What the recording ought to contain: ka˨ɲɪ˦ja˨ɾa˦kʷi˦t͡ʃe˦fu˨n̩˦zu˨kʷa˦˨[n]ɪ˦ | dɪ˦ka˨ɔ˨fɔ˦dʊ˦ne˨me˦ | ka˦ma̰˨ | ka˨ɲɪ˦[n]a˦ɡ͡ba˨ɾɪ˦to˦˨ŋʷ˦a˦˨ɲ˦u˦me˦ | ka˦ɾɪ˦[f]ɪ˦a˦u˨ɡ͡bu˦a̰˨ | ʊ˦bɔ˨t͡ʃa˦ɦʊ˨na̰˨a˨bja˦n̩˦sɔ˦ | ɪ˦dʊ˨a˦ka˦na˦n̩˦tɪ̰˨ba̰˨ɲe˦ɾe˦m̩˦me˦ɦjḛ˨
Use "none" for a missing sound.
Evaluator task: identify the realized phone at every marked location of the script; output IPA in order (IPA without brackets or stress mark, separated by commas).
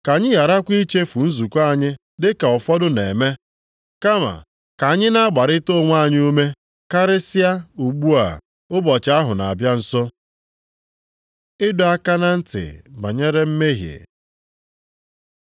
ɲ, n, s